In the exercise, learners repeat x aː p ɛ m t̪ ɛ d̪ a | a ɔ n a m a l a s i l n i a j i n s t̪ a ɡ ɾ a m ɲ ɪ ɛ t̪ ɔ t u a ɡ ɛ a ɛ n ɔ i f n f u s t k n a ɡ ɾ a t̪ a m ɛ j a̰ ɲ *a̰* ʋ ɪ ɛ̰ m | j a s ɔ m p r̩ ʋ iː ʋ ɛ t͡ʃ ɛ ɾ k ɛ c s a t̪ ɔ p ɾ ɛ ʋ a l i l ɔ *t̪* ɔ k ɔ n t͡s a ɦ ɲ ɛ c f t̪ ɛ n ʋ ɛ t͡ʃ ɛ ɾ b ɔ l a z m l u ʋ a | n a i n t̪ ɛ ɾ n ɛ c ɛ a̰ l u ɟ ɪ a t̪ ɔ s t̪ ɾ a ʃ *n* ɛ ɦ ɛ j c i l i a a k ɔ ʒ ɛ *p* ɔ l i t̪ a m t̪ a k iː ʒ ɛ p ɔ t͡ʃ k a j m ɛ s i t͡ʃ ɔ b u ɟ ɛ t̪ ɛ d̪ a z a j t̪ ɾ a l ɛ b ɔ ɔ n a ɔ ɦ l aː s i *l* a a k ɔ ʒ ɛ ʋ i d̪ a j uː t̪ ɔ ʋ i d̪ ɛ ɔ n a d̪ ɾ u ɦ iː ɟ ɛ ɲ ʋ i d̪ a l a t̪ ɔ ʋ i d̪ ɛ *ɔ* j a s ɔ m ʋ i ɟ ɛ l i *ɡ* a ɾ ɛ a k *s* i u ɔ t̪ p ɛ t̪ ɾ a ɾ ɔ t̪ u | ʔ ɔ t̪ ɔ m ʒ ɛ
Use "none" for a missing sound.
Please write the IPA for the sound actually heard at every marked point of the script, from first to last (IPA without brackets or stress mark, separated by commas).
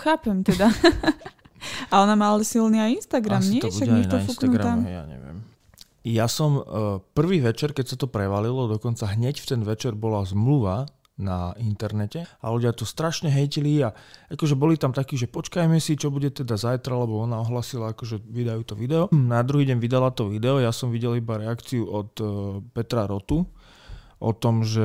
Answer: ɛ̰, d̪, ɲ, b, l, ɔ, b, t͡s